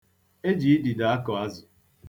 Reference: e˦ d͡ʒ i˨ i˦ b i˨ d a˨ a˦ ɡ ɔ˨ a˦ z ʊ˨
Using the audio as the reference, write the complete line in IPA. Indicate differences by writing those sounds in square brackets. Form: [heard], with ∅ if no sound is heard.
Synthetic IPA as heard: e˦ d͡ʒ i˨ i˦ [d] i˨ d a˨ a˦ [k] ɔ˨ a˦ z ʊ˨